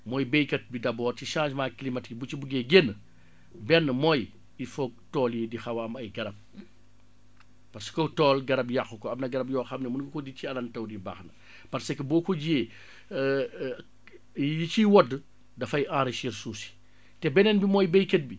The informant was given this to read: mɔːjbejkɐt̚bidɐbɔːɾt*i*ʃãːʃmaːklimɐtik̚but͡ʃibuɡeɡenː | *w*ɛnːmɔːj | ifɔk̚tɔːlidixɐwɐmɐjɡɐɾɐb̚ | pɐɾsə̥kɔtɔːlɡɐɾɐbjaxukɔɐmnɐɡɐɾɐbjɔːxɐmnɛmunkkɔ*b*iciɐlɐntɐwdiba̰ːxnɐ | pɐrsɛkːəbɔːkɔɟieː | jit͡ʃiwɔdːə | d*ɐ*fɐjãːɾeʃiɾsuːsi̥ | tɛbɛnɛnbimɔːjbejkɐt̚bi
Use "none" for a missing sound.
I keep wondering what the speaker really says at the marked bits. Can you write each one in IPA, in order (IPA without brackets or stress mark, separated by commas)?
i, b, d, ɐ